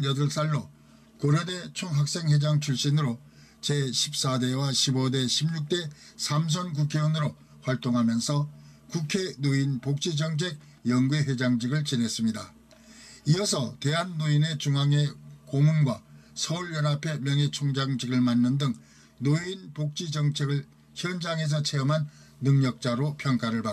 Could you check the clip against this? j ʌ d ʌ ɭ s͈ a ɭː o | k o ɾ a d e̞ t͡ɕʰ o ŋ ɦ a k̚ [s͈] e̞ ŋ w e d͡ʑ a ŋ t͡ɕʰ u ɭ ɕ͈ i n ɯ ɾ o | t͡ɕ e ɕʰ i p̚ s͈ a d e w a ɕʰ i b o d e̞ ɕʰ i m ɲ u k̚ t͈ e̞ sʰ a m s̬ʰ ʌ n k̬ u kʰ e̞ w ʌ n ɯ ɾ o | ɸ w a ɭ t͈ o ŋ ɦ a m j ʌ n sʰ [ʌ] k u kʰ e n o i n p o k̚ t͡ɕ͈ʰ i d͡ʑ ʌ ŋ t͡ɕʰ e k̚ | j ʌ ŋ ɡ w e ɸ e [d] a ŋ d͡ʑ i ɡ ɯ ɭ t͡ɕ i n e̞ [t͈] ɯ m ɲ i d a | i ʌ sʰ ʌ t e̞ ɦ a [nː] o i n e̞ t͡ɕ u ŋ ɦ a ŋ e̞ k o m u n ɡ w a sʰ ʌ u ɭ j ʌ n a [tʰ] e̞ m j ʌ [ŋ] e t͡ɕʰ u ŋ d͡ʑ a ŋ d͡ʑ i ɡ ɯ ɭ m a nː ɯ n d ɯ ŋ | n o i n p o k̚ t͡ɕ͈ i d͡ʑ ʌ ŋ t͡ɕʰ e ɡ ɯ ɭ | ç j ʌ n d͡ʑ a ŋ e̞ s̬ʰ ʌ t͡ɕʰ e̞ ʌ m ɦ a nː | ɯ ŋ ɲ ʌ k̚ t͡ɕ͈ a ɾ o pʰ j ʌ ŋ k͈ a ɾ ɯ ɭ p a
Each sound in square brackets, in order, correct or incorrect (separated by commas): correct, correct, incorrect, incorrect, correct, incorrect, correct